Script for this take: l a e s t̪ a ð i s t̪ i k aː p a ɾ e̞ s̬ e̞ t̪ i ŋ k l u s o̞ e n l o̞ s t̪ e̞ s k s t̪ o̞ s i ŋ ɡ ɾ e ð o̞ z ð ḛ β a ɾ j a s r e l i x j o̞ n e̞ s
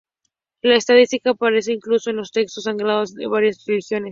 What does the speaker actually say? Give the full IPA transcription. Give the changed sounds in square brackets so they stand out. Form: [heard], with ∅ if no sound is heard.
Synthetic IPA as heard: l a e s t̪ a ð i s t̪ i k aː p a ɾ e̞ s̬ e̞ [∅] i ŋ k l u s o̞ e n l o̞ s t̪ e̞ [∅] k s t̪ o̞ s [a] ŋ ɡ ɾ [a] ð o̞ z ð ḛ β a ɾ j a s r e l i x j o̞ n e̞ s